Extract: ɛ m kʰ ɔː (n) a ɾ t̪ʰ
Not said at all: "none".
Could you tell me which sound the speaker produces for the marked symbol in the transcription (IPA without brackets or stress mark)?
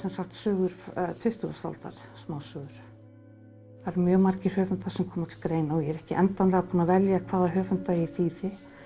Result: m